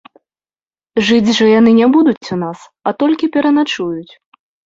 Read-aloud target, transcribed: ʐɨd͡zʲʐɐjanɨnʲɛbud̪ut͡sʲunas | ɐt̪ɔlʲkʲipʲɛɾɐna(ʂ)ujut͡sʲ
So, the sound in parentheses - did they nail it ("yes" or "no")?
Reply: no